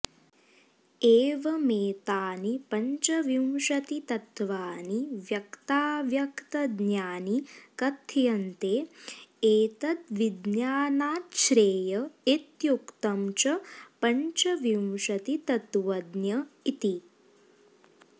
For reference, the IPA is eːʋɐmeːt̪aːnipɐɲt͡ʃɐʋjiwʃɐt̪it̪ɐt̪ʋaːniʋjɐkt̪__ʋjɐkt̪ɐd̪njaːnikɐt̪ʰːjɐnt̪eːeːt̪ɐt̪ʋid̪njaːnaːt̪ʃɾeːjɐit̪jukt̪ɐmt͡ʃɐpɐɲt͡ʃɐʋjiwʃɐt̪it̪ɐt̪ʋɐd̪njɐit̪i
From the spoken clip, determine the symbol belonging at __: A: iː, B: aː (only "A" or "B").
B